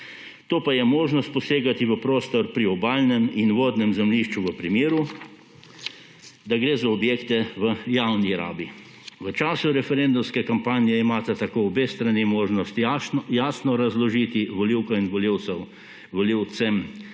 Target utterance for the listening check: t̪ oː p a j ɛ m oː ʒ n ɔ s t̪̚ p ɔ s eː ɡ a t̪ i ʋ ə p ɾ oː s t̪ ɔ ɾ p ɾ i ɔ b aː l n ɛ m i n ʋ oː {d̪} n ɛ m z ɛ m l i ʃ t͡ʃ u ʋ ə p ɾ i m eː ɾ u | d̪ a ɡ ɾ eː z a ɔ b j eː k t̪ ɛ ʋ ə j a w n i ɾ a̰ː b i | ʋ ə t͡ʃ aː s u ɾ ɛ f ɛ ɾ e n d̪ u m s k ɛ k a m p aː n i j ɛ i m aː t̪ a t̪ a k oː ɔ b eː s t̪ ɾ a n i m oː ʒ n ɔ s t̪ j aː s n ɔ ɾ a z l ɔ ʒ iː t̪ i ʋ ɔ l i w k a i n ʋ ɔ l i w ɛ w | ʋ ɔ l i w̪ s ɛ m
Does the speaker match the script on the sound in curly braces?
yes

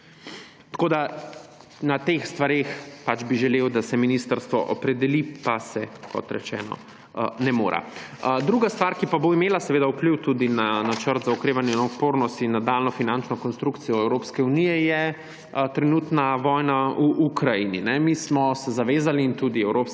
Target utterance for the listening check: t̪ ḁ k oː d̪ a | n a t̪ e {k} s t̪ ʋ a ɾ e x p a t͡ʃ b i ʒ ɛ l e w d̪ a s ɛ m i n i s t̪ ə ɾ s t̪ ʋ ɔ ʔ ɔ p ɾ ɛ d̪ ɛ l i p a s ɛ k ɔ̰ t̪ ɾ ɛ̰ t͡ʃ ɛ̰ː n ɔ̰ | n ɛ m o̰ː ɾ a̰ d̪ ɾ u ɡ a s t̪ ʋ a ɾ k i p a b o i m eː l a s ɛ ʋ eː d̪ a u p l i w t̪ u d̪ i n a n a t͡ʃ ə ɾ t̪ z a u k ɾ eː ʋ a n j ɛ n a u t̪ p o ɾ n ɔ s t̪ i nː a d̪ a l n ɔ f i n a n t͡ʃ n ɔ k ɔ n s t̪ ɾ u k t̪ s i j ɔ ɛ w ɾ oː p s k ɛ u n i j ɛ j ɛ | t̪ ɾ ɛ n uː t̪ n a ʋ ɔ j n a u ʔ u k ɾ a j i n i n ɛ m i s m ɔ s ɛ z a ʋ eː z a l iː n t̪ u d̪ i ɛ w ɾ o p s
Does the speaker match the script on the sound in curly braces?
no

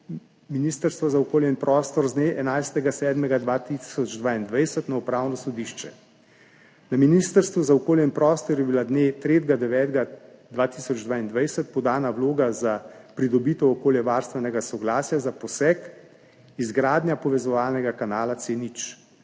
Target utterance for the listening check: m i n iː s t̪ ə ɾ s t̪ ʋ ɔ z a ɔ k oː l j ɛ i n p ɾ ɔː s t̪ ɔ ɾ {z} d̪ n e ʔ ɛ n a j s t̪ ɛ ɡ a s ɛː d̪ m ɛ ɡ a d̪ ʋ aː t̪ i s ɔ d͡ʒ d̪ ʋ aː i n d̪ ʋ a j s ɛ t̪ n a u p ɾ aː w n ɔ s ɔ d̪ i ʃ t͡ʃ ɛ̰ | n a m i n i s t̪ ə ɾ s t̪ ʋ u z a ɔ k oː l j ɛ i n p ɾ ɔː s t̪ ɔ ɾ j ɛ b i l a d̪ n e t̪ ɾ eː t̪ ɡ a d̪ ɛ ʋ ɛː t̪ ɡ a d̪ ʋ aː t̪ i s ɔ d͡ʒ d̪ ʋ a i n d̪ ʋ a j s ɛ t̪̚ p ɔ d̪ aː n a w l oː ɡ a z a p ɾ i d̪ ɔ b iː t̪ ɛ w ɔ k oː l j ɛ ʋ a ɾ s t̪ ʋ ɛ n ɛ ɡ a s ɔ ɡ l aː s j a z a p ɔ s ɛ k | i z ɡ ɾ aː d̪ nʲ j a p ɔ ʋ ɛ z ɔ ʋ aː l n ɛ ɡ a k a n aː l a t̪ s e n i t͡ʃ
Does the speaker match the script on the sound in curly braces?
yes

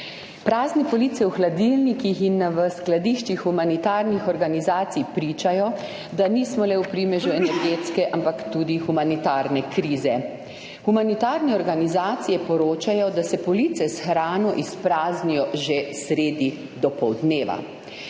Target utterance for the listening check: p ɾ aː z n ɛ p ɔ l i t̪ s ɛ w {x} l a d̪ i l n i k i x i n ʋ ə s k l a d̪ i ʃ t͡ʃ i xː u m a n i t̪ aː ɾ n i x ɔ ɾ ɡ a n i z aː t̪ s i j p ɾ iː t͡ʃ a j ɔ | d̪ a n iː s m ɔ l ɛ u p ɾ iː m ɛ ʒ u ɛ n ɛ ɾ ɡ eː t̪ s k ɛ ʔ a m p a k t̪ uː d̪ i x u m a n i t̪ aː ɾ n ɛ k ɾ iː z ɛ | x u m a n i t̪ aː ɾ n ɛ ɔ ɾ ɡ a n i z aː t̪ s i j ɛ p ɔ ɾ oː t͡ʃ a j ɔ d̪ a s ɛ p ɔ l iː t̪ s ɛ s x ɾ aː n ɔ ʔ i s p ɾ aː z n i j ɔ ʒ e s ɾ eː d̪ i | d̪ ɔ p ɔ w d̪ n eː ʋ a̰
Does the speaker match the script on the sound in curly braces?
yes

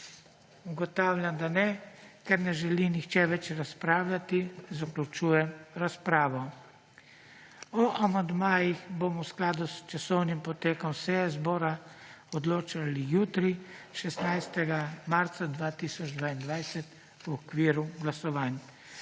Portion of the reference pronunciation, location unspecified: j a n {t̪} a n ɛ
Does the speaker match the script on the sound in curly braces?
no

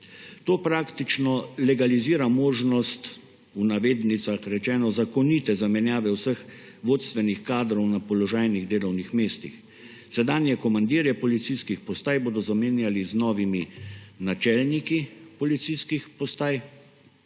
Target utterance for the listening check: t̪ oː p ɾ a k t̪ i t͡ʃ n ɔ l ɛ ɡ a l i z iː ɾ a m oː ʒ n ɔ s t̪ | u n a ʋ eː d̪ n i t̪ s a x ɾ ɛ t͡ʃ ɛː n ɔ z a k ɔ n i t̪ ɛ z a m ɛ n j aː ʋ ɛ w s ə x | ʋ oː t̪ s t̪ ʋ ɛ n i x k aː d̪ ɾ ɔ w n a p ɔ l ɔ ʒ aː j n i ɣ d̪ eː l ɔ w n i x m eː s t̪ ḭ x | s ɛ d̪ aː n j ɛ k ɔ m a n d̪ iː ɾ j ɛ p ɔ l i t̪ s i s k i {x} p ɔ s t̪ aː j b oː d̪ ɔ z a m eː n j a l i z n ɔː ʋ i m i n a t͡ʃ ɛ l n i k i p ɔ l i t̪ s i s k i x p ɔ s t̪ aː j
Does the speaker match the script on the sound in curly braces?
yes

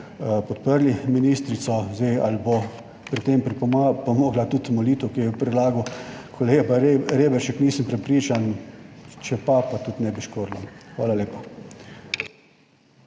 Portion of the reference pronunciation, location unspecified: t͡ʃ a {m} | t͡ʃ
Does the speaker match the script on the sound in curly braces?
no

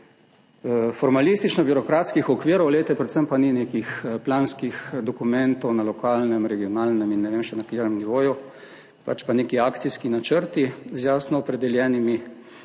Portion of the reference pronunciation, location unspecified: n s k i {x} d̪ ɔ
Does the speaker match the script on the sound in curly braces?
yes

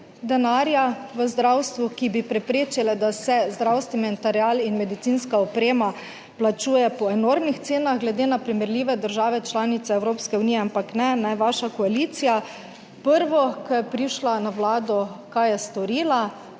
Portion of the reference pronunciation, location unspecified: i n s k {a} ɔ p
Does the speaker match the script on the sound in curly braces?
yes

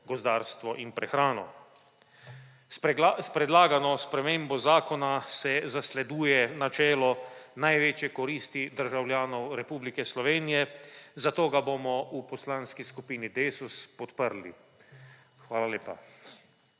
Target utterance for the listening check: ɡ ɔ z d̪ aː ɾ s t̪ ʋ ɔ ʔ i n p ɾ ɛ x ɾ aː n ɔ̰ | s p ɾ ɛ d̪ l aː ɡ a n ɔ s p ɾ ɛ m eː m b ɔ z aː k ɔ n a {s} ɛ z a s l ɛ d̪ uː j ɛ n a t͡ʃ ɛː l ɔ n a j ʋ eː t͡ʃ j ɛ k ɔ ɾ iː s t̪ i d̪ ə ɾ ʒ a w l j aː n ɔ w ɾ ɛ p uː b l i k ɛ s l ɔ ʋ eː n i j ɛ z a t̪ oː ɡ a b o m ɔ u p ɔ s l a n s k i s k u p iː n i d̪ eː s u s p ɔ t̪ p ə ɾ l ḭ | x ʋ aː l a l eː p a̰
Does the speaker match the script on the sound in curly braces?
yes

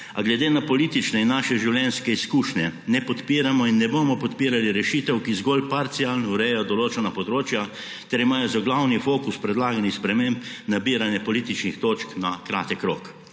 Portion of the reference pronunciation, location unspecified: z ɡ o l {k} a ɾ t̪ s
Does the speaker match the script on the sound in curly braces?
no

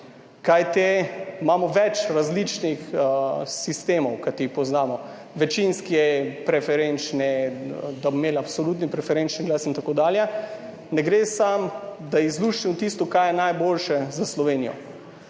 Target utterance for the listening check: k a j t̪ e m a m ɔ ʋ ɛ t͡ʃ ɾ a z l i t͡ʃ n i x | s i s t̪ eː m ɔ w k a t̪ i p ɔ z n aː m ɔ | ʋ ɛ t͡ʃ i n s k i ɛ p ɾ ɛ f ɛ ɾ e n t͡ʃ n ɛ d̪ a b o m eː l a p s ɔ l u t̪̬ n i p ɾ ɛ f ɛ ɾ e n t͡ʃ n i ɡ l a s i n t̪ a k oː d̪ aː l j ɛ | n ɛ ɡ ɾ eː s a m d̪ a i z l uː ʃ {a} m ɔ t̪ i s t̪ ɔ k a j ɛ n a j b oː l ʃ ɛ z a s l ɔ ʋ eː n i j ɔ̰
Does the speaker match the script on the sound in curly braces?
no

